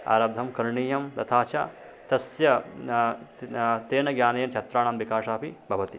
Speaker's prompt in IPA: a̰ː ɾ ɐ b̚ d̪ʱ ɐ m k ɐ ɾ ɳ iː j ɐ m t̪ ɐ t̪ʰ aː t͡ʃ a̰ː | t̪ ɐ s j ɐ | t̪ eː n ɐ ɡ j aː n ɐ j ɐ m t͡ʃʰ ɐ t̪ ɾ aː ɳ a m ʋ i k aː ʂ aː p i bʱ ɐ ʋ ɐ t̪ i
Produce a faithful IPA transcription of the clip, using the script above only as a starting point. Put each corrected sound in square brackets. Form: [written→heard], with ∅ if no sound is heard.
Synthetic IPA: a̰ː ɾ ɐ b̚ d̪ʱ ɐ m k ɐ ɾ ɳ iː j ɐ m t̪ ɐ t̪ʰ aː t͡ʃ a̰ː | t̪ ɐ s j ɐ | t̪ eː n ɐ ɡ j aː n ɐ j ɐ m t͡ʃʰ ɐ t̪ ɾ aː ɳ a m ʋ i k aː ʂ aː p i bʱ ɐ ʋ ɐ t̪ i